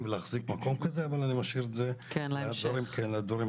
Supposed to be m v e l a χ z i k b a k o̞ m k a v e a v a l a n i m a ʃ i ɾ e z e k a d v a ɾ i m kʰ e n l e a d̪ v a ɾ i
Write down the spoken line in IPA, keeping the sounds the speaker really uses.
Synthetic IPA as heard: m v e l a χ z i k m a k o̞ m k a z e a v a l a n i m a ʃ i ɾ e z e k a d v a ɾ i m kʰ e n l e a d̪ v a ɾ i